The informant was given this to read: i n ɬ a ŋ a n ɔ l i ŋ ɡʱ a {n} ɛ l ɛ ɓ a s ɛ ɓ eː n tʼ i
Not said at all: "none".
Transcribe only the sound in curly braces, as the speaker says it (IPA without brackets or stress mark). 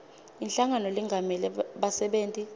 m